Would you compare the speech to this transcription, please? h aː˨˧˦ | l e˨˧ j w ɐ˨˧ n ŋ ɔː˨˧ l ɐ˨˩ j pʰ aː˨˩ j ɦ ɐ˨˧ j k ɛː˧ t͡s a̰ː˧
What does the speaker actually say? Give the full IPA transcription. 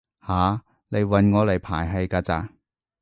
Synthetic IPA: h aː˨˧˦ | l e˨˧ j w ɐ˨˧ n ŋ ɔː˨˧ l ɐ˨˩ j pʰ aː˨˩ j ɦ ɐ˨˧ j k aː˧ t͡s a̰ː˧